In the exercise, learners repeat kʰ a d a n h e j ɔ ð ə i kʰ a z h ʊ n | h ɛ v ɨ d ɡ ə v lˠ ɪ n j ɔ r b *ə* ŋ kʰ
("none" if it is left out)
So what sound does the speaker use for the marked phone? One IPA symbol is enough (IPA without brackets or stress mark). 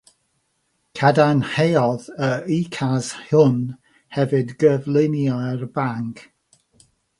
a